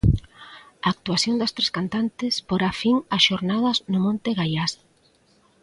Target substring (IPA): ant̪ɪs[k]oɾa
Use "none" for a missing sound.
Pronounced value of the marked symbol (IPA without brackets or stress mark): p